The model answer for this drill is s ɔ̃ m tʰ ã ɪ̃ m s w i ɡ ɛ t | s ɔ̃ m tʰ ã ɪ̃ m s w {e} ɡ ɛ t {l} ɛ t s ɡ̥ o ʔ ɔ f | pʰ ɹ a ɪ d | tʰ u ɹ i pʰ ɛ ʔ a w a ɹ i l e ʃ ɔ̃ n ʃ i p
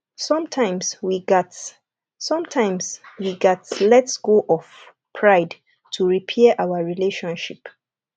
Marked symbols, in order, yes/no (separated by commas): no, yes